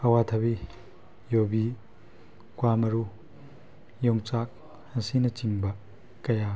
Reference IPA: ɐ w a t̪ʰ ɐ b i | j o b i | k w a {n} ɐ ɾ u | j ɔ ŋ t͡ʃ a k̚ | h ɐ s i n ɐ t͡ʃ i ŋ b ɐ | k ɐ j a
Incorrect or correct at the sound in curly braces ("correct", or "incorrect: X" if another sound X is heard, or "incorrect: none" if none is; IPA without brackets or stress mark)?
incorrect: m